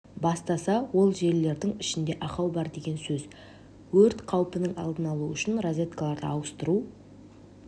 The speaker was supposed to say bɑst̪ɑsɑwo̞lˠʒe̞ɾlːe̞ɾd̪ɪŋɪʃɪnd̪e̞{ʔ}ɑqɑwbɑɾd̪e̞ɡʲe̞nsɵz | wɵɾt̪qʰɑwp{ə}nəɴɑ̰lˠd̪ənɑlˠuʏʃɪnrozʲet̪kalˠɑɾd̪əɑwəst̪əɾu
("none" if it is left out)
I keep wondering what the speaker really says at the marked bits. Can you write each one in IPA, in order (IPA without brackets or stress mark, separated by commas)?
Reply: ʔ, ə